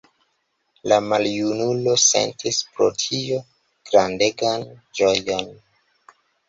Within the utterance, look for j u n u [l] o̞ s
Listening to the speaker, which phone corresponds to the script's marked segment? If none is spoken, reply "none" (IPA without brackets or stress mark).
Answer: l